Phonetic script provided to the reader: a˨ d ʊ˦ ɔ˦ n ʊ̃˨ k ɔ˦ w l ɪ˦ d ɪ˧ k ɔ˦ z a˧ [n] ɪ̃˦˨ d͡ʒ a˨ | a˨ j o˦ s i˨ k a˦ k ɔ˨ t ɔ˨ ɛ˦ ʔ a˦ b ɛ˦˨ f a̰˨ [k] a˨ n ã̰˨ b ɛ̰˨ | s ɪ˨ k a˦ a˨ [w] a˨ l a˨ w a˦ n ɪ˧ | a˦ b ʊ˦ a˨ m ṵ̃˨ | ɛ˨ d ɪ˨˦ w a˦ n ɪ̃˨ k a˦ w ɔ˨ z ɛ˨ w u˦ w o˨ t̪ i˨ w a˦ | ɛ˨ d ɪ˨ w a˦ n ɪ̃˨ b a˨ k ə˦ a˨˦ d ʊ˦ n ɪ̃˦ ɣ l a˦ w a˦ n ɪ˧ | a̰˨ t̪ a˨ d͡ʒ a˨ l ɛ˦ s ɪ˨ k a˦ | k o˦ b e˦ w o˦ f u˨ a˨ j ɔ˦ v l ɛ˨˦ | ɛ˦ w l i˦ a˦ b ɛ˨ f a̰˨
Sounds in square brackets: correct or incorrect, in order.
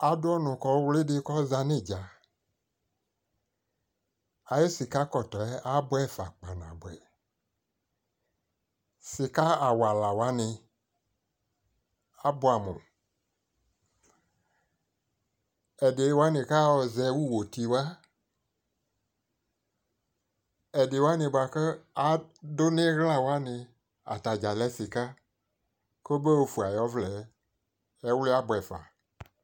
correct, incorrect: k͡p, correct

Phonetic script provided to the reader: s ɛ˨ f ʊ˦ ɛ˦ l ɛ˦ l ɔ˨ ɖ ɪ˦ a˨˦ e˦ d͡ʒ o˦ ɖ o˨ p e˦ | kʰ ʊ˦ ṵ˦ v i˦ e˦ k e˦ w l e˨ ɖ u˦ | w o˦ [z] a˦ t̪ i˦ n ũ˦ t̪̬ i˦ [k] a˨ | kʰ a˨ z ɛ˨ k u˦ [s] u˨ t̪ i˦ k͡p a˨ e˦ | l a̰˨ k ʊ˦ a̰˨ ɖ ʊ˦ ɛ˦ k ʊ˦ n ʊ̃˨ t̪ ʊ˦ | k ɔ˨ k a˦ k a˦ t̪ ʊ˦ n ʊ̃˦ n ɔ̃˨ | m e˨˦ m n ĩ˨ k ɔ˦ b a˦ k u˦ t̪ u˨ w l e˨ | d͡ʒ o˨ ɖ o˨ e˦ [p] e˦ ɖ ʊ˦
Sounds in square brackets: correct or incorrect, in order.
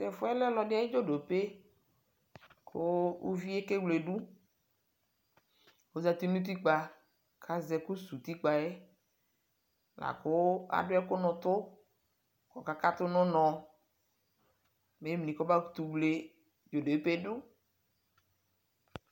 correct, incorrect: k͡p, correct, correct

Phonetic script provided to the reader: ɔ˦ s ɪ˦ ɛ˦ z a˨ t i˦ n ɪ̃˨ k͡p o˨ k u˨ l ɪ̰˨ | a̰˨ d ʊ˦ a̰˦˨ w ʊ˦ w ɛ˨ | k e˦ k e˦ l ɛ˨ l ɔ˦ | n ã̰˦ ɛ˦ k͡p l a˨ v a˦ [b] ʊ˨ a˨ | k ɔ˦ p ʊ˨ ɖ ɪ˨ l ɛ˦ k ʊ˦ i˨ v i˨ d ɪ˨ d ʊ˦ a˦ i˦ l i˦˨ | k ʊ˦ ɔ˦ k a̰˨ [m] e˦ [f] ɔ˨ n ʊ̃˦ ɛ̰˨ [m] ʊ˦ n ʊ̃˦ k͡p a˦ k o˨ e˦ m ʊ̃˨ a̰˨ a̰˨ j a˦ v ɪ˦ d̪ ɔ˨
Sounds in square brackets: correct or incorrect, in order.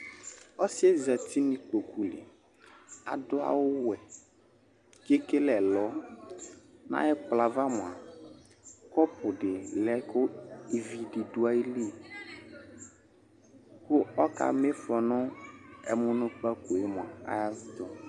incorrect: m, correct, correct, correct

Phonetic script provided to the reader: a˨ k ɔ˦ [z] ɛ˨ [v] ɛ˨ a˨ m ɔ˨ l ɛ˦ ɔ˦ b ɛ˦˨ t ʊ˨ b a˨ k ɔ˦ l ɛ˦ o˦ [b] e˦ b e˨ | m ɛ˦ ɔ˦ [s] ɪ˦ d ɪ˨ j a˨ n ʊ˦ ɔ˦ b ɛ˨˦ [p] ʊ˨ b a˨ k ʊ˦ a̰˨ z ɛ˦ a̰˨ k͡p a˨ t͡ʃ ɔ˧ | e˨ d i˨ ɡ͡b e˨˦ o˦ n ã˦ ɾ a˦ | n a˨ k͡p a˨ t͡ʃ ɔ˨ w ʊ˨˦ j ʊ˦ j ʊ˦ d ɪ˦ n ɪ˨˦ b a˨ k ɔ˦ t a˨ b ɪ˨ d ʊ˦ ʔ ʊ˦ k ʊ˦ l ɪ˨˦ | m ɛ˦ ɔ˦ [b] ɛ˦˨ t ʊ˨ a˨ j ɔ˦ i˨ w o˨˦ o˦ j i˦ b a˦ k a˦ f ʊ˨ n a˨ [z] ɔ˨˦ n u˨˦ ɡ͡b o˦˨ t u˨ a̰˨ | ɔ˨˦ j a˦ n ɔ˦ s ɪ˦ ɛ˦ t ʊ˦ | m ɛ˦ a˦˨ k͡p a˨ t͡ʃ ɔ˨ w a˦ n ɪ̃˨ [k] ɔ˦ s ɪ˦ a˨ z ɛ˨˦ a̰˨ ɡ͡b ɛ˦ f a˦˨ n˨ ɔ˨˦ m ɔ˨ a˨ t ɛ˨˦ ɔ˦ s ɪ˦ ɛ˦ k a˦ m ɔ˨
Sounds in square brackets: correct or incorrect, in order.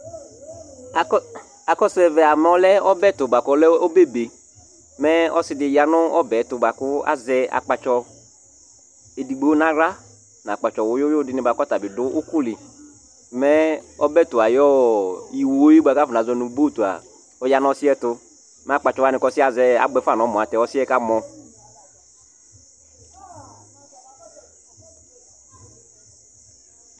incorrect: s, correct, correct, correct, incorrect: t, correct, correct, correct

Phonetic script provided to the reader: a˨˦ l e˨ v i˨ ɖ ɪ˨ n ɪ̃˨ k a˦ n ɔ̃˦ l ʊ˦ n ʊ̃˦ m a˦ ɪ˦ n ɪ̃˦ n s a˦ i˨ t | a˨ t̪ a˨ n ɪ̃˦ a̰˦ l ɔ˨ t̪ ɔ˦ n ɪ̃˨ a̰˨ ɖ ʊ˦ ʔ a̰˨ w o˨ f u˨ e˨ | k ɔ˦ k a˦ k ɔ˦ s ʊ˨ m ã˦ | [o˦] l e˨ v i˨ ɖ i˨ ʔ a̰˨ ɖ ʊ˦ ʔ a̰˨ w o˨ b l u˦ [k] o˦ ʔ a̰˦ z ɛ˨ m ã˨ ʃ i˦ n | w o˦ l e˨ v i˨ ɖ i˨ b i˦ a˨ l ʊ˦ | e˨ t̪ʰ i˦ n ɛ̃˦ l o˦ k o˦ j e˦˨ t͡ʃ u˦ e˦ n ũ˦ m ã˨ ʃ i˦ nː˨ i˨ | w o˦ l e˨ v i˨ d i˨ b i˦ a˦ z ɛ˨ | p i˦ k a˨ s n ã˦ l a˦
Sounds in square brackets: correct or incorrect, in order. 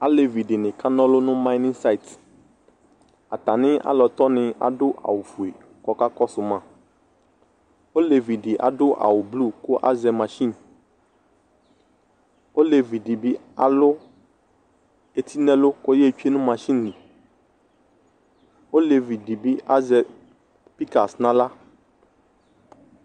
correct, correct

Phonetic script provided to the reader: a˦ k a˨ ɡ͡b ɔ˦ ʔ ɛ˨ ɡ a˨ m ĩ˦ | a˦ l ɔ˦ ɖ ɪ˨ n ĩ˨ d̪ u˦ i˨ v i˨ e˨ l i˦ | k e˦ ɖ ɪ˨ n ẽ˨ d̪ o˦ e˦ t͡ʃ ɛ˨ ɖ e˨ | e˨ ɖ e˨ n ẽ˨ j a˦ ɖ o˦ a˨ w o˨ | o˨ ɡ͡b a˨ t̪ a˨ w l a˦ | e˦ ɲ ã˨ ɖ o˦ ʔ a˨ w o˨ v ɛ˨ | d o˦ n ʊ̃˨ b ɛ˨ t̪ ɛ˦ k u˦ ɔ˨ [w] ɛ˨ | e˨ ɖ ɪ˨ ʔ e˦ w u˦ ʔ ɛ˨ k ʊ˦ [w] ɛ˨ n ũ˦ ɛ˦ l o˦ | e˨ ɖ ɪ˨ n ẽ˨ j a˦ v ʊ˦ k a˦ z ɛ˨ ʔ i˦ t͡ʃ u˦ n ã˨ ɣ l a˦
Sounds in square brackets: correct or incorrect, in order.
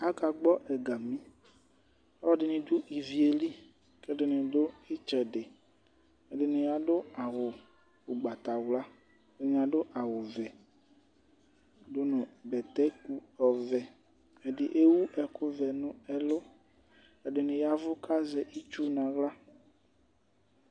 incorrect: v, incorrect: v

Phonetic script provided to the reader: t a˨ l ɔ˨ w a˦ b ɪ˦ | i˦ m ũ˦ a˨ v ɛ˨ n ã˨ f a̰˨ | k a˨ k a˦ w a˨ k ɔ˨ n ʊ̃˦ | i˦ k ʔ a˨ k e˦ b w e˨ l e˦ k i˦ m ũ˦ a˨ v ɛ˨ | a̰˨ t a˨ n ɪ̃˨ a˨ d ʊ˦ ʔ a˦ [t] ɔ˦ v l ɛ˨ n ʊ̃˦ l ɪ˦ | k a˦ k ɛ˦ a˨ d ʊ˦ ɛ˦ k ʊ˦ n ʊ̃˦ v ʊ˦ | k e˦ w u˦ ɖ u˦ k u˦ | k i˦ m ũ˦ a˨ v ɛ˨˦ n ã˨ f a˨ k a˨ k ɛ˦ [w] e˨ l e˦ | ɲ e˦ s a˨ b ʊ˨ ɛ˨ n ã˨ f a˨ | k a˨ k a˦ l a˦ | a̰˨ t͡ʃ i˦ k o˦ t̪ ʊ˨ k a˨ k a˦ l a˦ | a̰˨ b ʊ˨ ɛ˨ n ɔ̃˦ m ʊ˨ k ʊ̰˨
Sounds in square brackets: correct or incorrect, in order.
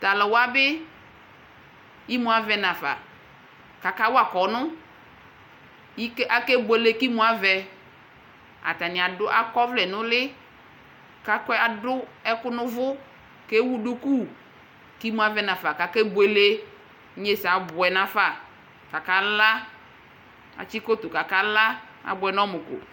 incorrect: k, incorrect: b

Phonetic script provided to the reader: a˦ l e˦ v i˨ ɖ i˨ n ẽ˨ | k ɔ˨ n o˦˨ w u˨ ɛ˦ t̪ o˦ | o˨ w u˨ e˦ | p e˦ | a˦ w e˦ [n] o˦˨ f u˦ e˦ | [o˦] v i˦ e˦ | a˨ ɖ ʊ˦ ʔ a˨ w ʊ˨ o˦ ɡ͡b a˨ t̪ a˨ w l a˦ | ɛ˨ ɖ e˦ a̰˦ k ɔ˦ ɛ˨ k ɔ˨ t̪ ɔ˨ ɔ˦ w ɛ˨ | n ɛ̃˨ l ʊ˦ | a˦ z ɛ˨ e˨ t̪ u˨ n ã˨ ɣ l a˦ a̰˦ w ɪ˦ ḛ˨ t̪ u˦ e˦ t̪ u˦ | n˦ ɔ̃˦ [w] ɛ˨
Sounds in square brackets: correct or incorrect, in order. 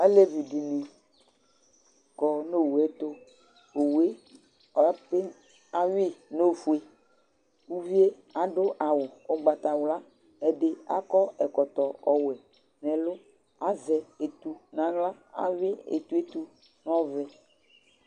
correct, incorrect: u˦, incorrect: v

